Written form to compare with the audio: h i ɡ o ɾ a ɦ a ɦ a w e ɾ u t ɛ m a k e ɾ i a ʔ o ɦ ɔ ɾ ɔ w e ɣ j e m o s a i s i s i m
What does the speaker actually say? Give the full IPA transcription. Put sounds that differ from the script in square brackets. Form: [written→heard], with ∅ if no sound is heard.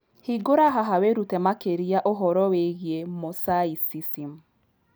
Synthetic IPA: h i ɡ o ɾ a ɦ a ɦ a w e ɾ u t ɛ m a k e ɾ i a ʔ o ɦ ɔ ɾ ɔ w e ɣ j e m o s a i s i s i m